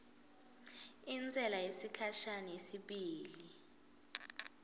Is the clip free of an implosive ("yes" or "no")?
no